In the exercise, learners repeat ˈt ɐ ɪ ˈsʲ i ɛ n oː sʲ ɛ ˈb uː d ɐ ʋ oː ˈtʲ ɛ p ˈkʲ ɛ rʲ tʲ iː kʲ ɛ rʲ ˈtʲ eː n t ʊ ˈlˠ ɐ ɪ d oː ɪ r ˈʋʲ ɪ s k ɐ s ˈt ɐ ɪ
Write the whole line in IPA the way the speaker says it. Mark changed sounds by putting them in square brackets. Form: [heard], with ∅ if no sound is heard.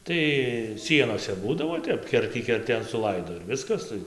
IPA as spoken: ˈt ɐ ɪ ˈsʲ i ɛ n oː sʲ ɛ ˈb uː d ɐ ʋ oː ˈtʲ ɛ p ˈkʲ ɛ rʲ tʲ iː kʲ ɛ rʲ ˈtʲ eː n [s] ʊ ˈlˠ ɐ ɪ d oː ɪ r ˈʋʲ ɪ s k ɐ s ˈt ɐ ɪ